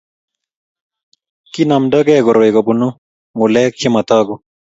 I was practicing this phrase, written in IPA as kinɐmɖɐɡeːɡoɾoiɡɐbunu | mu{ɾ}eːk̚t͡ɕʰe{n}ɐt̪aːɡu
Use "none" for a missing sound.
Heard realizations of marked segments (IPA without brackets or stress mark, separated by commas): l, m